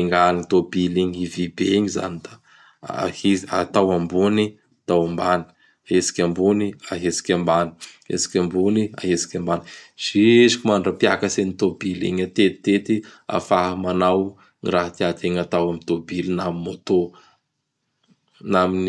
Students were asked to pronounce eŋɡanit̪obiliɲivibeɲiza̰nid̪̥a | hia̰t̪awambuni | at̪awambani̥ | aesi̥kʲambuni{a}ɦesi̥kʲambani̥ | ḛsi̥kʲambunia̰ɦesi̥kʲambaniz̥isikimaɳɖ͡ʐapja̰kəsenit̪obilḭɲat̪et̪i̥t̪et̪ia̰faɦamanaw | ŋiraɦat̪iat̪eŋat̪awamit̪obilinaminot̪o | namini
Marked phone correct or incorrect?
correct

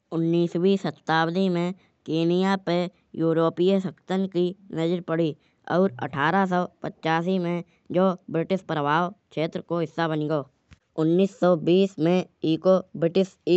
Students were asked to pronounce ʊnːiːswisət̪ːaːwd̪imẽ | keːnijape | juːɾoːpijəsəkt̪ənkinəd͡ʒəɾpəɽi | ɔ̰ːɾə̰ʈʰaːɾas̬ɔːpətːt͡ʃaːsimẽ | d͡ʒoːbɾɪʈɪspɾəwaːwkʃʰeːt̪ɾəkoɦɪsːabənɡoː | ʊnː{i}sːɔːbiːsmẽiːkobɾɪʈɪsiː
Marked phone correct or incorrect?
incorrect: iː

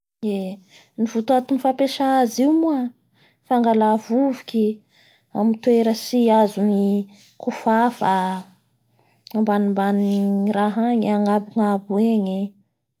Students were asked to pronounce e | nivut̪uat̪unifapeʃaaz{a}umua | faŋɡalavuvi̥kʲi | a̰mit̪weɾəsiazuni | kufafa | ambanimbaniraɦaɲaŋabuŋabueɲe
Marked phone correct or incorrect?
incorrect: i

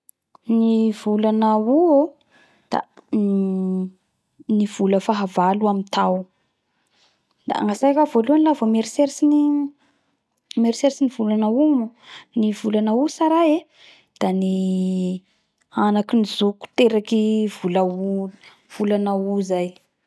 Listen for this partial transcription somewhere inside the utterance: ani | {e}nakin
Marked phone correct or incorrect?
incorrect: a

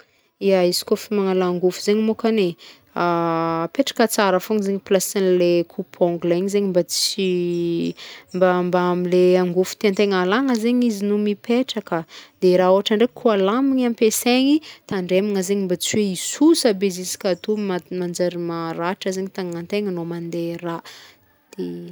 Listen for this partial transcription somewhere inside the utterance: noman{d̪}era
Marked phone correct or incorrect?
correct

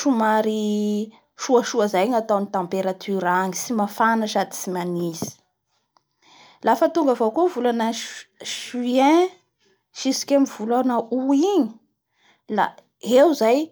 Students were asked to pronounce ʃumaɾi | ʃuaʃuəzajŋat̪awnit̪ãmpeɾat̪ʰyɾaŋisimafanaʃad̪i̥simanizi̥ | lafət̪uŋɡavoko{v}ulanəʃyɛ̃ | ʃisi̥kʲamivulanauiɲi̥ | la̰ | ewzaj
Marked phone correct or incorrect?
correct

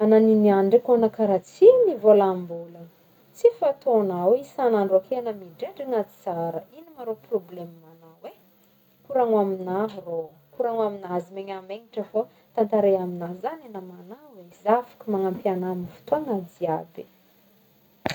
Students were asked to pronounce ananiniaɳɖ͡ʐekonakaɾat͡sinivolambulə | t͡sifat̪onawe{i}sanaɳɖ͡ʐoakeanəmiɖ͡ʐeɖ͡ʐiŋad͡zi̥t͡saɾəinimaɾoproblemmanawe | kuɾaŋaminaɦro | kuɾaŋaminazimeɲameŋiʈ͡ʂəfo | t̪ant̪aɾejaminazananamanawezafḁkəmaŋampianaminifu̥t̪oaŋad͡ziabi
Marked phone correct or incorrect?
correct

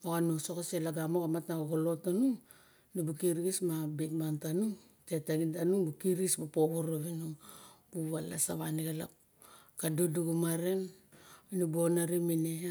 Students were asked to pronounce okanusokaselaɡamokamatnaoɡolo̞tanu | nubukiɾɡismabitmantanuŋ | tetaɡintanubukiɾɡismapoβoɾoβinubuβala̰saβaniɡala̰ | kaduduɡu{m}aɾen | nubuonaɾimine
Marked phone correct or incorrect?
correct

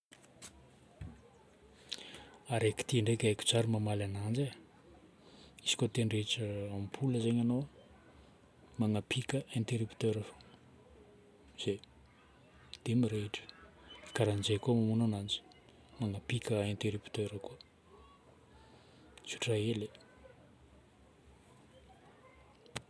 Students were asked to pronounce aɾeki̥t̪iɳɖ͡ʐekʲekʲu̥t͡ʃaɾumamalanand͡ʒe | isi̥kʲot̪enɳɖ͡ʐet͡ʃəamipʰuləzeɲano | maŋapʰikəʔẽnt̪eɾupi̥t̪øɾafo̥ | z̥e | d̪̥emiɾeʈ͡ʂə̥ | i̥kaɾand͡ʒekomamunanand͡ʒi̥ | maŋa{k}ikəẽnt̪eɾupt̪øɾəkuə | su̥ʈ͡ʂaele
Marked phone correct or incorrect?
incorrect: p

